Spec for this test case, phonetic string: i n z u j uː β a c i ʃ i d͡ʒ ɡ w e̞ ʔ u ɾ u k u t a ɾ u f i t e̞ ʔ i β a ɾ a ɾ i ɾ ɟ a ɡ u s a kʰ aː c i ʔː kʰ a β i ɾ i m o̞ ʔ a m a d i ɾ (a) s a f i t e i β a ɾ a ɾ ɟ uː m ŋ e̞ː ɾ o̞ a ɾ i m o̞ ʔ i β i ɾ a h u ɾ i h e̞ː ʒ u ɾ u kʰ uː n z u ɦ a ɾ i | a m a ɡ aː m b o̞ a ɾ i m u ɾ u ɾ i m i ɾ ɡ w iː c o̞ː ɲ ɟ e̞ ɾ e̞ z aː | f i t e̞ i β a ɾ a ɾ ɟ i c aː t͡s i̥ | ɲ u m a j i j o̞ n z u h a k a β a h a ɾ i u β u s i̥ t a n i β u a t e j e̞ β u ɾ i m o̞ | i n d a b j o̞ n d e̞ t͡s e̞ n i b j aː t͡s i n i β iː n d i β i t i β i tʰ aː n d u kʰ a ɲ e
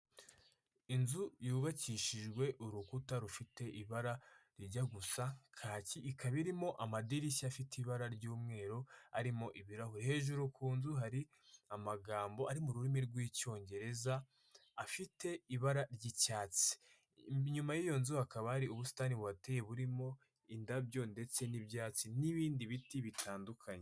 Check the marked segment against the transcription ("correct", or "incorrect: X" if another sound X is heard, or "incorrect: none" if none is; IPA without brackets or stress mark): incorrect: i